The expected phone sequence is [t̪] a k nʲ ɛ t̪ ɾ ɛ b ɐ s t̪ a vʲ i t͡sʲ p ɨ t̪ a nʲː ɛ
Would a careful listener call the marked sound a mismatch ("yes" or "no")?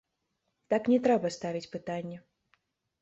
no